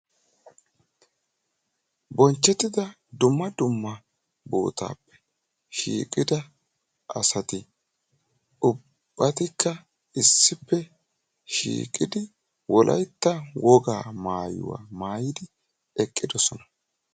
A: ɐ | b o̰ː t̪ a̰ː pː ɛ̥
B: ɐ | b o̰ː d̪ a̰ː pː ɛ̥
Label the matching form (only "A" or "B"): A